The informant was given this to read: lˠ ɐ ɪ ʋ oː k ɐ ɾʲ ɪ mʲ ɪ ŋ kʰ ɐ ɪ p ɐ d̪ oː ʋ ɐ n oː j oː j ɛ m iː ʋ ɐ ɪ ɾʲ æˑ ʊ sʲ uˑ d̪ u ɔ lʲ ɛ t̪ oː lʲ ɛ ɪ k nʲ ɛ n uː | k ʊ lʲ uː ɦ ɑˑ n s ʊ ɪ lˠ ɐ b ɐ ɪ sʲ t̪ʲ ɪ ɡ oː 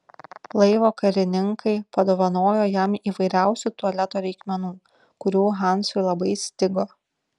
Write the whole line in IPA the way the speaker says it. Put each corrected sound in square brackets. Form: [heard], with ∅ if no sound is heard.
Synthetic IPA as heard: lˠ ɐ ɪ ʋ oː k ɐ ɾʲ ɪ [nʲ] ɪ ŋ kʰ ɐ ɪ p ɐ d̪ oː ʋ ɐ n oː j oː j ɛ m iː ʋ ɐ ɪ ɾʲ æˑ ʊ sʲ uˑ [t̪] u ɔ lʲ ɛ t̪ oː [ɾʲ] ɛ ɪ k [mʲ] ɛ n uː | k ʊ [ɾʲ] uː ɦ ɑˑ n s ʊ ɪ lˠ ɐ b ɐ ɪ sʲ t̪ʲ ɪ ɡ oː